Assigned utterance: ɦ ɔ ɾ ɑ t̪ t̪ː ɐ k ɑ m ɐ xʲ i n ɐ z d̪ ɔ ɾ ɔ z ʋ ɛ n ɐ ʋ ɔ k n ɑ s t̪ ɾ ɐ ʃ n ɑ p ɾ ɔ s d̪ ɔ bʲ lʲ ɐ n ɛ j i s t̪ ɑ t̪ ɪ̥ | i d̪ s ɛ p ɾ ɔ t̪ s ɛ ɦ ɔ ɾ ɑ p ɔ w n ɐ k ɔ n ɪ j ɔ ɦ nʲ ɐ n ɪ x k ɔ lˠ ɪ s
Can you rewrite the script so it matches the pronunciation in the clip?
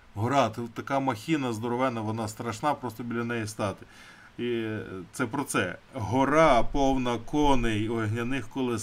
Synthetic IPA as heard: ɦ ɔ ɾ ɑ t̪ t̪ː ɐ k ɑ m ɐ xʲ i n ɐ z d̪ ɔ ɾ ɔ ʋ ɛ n ɐ ʋ ɔ n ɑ s t̪ ɾ ɐ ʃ n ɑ p ɾ ɔ s t̪ ɔ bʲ lʲ ɐ n ɛ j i s t̪ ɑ t̪ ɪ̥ | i t̪ s ɛ p ɾ ɔ t̪ s ɛ ɦ ɔ ɾ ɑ p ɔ w n ɐ k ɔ n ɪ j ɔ ɦ nʲ ɐ n ɪ x k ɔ lˠ ɪ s